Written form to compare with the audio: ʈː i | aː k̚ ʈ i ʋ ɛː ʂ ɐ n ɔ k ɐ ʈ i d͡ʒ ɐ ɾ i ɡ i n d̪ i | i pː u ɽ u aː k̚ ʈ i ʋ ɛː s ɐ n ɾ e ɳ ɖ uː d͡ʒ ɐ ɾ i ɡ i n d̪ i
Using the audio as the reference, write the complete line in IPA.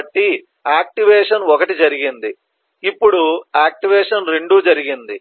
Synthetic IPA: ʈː i | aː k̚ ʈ i ʋ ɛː ʂ ɐ n ɔ k ɐ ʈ i d͡ʒ ɐ ɾ i ɡ i n d̪ i | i pː u ɽ u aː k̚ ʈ i ʋ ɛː ʂ ɐ n ɾ e ɳ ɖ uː d͡ʒ ɐ ɾ i ɡ i n d̪ i

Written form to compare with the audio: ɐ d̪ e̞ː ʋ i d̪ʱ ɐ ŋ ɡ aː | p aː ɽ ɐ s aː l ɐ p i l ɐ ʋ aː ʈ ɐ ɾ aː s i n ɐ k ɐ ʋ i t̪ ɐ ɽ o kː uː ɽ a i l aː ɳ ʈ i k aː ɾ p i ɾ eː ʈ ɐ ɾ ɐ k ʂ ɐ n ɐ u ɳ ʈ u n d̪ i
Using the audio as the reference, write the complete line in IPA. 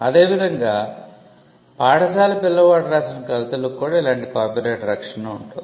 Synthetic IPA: ɐ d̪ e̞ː ʋ i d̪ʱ ɐ ŋ ɡ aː | p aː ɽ ɐ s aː l ɐ p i lː ɐ ʋ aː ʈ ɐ ɾ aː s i n ɐ k ɐ ʋ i t̪ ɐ l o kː uː ɽ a i l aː ɳ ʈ i k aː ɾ p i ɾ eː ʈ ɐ ɾ ɐ k ʂ ɐ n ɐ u ɳ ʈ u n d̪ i

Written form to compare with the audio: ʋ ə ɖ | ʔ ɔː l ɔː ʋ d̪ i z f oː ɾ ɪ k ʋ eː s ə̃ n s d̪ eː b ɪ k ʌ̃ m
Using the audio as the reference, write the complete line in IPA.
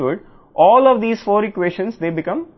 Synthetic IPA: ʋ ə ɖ | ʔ ɔː l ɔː ʋ d̪ iː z f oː ɾ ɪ k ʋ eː ʃ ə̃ n s d̪ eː b ɪ k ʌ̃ m

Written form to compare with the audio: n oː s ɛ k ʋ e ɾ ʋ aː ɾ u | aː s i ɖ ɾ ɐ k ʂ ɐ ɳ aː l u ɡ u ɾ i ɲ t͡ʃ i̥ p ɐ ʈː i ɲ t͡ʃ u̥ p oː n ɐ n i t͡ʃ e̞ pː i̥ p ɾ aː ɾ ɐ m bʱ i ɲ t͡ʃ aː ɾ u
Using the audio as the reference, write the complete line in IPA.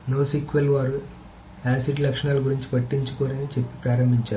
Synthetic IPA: n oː s i k ʋ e l ʋ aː ɾ u | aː s i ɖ l ɐ k ʂ ɐ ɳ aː l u ɡ u ɾ i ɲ t͡ʃ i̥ p ɐ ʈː i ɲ t͡ʃ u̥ k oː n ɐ n i t͡ʃ e̞ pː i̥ p ɾ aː ɾ ɐ m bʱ i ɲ t͡ʃ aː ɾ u

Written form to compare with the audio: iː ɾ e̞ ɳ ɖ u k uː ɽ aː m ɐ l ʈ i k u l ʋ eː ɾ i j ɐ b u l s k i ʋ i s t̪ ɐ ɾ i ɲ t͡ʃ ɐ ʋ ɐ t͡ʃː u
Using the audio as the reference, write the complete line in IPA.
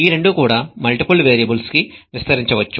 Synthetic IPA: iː ɾ e̞ ɳ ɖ u k uː ɽ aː m ɐ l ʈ i p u l ʋ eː ɾ i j ɐ b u l s k i ʋ i s t̪ ɐ ɾ i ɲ t͡ʃ ɐ ʋ ɐ t͡ʃː u

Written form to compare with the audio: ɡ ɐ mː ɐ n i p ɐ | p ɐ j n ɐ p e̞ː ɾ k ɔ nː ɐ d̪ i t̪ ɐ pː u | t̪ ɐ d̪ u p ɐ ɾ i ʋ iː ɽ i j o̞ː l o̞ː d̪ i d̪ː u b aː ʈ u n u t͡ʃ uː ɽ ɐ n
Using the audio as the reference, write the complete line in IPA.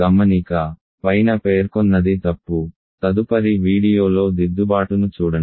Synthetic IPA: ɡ ɐ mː ɐ n i k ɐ | p ɐ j n ɐ p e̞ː ɾ k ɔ nː ɐ d̪ i t̪ ɐ pː u | t̪ ɐ d̪ u p ɐ ɾ i ʋ iː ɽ i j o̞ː l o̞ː d̪ i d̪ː u b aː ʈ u n u t͡ʃ uː ɽ ɐ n

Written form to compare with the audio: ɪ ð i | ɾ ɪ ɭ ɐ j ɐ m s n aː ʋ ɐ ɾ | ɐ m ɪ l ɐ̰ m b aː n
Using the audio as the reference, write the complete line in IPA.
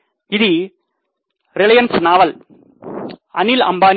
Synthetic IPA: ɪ ð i | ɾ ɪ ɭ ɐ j ɐ n s n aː ʋ ɐ l | ɐ n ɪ l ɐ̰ m b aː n

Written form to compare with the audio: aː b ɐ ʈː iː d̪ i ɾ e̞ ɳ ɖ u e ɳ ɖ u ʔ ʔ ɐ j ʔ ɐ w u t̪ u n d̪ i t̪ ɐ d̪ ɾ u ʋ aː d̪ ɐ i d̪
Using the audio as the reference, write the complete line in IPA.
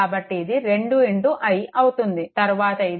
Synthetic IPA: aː b ɐ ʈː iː d̪ i ɾ e̞ ɳ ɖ u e ɳ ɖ u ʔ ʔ ɐ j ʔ ɐ w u t̪ u n d̪ i t̪ ɐ ɾ u ʋ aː t̪ ɐ i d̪

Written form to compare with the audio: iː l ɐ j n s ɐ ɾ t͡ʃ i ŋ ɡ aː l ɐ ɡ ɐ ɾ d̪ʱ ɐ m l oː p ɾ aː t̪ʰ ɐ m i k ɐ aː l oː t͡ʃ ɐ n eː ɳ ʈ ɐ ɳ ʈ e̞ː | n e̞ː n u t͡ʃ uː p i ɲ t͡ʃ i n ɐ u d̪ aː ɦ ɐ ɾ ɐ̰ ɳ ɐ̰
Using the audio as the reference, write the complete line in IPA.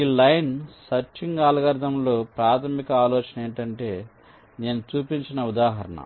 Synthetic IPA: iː l ɐ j n s ɐ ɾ t͡ʃ i ŋ ɡ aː l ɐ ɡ ɐ ɾ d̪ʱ ɐ m l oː p ɾ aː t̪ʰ ɐ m i k ɐ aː l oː t͡ʃ ɐ n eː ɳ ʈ ɐ ɳ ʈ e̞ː | n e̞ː n u t͡ʃ uː p i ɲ t͡ʃ i n ɐ u d̪ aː ɦ ɐ ɾ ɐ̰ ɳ ɐ̰

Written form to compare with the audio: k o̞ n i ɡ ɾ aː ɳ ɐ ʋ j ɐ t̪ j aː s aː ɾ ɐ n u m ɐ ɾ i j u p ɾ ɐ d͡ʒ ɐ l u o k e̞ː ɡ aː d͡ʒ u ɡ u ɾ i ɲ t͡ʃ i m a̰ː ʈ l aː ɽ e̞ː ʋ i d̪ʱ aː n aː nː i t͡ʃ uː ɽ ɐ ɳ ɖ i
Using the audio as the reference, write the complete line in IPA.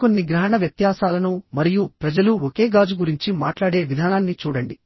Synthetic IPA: k o̞ nː i ɡ ɾ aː ɳ ɐ ʋ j ɐ t̪ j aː s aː l ɐ n u m ɐ ɾ i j u p ɾ ɐ d͡ʒ ɐ l u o k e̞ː ɡ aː d͡ʒ u ɡ u ɾ i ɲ t͡ʃ i m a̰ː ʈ l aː ɽ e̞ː ʋ i d̪ʱ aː n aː nː i t͡ʃ uː ɽ ɐ ɳ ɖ i

